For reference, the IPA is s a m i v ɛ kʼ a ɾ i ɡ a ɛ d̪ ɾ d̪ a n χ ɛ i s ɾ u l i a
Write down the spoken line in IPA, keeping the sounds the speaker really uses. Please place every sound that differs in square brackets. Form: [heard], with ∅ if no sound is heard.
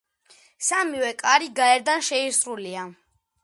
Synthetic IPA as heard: s a m i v ɛ kʼ a ɾ i ɡ a ɛ [∅] ɾ d̪ a n [ʃ] ɛ i s ɾ u l i a